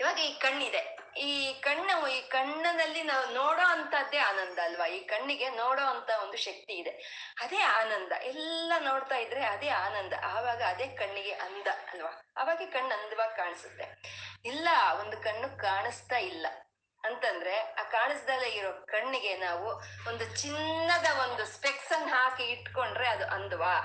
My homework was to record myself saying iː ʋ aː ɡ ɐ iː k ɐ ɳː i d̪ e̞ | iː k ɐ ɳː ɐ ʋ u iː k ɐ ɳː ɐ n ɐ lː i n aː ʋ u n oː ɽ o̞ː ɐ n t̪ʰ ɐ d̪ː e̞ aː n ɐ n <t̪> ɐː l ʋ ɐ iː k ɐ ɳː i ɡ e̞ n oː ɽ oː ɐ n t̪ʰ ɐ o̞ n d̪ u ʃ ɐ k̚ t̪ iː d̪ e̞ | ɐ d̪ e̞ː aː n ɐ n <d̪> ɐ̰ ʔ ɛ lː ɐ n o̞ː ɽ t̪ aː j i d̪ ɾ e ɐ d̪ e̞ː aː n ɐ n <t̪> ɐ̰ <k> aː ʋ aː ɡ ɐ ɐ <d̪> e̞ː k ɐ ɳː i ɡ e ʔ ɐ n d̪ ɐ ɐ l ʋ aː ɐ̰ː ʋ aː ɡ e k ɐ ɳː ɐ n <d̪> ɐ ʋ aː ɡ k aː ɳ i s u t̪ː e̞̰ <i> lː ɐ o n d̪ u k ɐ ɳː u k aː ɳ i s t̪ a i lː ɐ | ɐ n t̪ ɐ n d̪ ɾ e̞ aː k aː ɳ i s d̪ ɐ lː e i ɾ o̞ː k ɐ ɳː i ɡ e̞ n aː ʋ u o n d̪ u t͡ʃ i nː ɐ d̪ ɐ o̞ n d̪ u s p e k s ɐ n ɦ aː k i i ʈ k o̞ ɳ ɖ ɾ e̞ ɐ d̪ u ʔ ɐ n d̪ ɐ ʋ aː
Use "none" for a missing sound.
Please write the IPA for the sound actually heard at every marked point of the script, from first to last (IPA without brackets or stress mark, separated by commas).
d̪, d̪, d̪, ʔ, d̪, d̪, i